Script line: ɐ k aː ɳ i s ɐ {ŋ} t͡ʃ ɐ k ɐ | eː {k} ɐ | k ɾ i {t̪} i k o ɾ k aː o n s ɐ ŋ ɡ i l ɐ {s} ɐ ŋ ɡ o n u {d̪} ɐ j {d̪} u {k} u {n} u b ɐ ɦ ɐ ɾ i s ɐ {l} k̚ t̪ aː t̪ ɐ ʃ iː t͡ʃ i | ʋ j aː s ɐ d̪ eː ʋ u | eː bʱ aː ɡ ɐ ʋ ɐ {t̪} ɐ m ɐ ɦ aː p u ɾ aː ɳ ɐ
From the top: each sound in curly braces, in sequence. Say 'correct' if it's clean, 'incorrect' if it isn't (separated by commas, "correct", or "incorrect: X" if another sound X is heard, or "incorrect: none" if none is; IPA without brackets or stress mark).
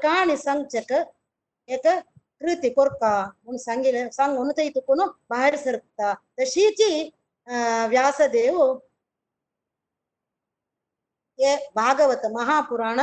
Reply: correct, correct, correct, correct, incorrect: t̪, incorrect: t̪, correct, correct, incorrect: ɾ, correct